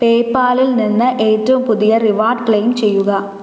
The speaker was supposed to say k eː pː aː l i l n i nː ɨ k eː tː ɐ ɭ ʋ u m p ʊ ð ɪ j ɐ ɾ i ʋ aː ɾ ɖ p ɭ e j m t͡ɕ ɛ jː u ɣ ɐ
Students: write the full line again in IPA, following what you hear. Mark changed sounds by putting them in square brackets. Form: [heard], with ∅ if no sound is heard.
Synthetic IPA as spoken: [p] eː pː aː l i l n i nː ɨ [ʔ] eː tː ɐ [∅] ʋ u m p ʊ ð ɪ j ɐ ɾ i ʋ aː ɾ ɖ [k] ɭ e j m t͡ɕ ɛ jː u ɣ ɐ